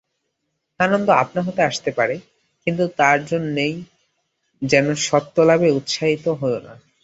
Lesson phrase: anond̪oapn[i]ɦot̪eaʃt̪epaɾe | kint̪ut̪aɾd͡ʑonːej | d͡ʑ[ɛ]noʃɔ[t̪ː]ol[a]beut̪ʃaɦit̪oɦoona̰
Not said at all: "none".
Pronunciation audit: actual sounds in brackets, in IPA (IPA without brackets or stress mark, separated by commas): a, ɛ, t̪ː, a